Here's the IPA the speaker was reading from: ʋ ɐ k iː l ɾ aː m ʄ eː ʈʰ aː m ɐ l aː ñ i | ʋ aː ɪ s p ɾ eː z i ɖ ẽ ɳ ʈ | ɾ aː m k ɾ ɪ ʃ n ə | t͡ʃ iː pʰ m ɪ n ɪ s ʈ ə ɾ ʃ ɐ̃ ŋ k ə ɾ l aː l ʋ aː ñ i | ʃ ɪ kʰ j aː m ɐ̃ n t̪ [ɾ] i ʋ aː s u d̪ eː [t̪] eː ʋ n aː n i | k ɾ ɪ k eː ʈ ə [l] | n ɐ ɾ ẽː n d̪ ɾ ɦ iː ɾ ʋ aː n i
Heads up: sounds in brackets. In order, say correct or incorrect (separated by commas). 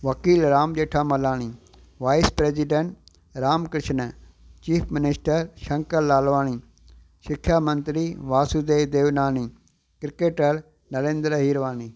correct, incorrect, incorrect